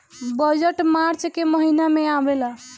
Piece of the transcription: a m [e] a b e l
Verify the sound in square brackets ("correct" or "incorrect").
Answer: correct